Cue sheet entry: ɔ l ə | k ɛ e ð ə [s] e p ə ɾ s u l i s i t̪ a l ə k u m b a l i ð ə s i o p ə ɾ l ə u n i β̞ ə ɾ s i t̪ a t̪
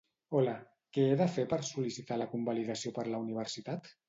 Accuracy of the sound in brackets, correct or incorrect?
incorrect